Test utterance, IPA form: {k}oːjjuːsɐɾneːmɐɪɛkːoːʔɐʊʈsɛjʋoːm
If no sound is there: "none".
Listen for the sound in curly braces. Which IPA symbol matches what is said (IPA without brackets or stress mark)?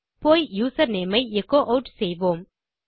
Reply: p